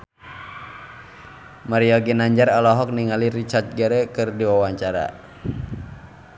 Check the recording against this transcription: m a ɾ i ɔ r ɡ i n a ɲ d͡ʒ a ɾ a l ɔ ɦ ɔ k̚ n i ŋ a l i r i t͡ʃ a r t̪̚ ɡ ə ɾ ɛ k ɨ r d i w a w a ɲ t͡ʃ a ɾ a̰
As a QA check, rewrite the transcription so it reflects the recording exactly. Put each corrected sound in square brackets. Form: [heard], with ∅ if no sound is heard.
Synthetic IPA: m a ɾ i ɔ [∅] ɡ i n a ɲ d͡ʒ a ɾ a l ɔ ɦ ɔ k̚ n i ŋ a l i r i t͡ʃ a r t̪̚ ɡ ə ɾ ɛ k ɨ r d i w a w a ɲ t͡ʃ a ɾ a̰